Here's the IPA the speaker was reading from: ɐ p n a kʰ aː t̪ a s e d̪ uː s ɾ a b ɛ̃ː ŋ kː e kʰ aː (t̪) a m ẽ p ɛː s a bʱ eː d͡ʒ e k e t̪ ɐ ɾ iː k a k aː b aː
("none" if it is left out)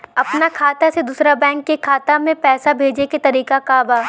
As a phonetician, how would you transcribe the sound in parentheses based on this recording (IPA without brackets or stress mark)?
t̪